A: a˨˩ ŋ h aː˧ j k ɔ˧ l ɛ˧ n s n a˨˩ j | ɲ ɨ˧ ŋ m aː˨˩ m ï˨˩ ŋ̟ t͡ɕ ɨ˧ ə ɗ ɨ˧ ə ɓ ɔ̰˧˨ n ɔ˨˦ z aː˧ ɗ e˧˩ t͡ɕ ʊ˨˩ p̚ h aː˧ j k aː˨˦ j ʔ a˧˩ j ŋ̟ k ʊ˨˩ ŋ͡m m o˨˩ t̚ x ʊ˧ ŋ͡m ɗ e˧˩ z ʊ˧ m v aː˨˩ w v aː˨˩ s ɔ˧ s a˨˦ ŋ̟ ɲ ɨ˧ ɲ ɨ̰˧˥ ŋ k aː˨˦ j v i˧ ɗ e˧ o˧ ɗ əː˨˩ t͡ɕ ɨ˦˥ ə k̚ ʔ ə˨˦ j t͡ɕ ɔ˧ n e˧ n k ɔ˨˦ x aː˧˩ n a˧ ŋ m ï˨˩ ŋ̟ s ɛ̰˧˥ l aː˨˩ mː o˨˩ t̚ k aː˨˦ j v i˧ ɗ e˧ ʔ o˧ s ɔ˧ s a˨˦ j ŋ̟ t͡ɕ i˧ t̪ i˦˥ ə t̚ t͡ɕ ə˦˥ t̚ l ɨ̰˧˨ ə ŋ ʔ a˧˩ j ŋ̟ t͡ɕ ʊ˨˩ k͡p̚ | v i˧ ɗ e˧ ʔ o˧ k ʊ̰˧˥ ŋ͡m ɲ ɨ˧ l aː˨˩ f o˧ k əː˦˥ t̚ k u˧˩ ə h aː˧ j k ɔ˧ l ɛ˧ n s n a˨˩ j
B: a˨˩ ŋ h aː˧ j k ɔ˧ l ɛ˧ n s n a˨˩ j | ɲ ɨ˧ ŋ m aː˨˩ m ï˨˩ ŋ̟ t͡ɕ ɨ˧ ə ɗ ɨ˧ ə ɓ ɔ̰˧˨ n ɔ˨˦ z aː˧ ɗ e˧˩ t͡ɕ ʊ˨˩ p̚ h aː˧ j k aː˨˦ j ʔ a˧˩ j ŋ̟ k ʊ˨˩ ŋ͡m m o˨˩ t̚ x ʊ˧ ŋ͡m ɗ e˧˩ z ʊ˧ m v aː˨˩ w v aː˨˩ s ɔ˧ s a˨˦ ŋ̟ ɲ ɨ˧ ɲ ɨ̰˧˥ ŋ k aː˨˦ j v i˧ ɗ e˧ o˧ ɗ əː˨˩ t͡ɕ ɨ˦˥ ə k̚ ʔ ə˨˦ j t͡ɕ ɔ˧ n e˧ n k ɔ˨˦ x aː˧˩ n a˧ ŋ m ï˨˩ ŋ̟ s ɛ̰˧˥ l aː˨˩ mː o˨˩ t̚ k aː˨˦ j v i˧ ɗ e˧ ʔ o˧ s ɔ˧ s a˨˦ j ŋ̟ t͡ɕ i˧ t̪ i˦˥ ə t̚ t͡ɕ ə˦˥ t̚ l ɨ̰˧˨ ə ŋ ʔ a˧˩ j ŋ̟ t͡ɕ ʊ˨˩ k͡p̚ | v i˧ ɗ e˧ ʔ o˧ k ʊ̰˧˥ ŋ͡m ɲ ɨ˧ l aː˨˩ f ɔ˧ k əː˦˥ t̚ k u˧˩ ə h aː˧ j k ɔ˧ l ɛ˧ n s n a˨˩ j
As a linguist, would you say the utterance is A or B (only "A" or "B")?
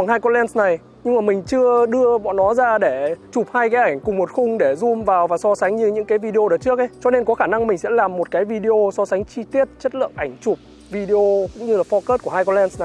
B